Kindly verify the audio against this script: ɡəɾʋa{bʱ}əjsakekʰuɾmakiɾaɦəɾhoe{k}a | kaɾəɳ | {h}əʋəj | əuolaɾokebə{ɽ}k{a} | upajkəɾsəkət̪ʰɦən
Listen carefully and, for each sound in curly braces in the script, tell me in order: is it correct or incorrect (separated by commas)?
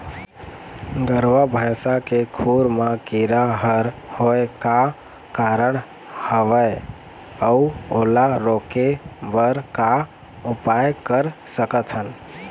correct, correct, correct, incorrect, correct